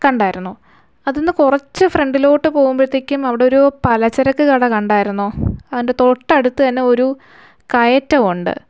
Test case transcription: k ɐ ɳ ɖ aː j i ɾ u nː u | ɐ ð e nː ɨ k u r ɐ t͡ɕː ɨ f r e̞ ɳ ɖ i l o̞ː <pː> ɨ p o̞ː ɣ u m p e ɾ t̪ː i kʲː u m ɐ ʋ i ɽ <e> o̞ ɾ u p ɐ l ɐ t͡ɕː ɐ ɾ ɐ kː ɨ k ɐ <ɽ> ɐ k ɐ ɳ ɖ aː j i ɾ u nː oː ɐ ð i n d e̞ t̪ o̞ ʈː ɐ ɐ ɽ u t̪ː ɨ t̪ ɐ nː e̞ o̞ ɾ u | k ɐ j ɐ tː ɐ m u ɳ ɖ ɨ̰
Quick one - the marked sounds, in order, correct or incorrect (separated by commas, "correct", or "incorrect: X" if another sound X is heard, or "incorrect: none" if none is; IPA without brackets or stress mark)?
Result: incorrect: ʈː, correct, correct